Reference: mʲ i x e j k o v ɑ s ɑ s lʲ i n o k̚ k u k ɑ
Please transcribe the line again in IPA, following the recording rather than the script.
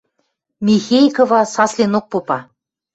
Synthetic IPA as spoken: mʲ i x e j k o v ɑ s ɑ s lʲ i n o k̚ p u p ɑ